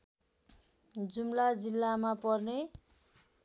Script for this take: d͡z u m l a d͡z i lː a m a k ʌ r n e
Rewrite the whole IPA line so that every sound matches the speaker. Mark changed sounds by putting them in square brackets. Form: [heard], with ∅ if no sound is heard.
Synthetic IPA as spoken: d͡z u m l a d͡z i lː a m a [p] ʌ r n e